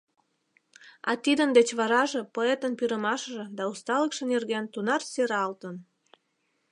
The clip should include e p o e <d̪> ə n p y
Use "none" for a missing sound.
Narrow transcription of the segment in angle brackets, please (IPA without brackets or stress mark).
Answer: t̪